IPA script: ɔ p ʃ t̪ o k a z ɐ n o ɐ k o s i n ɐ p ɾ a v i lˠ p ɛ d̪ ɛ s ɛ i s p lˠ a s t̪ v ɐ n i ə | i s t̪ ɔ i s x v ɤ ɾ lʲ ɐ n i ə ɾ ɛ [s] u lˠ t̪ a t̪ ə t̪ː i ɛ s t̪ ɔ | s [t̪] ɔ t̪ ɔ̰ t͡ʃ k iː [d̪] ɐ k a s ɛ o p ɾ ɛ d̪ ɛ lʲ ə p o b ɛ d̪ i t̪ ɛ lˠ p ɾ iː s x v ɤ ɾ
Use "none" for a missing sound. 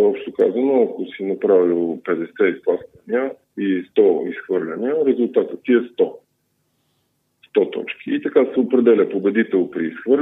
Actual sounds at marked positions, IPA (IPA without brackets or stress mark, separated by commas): z, t̪, t̪